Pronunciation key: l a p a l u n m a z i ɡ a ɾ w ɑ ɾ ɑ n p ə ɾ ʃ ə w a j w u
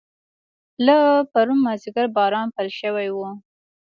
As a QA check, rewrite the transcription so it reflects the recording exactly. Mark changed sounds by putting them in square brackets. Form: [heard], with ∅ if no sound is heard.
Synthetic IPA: l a p a [ɾ] u n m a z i ɡ a ɾ [b] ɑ ɾ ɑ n p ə [l] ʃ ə w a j w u